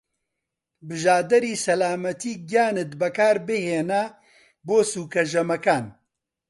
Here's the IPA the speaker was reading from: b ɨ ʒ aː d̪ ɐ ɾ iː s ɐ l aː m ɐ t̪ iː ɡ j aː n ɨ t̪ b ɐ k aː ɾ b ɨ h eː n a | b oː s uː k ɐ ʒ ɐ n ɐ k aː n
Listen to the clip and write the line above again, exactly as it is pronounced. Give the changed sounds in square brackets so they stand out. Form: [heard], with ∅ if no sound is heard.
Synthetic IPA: b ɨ ʒ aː d̪ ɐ ɾ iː s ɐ l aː m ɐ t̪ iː ɡ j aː n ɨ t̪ b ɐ k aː ɾ b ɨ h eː n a | b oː s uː k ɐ ʒ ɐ [m] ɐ k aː n